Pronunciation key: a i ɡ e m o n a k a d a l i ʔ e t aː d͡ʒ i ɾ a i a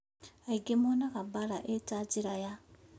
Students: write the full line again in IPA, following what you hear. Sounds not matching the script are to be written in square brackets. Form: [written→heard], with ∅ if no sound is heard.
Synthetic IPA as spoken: a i ɡ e m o n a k a [d→b] a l [i→a] ʔ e t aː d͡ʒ i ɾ a [i→j] a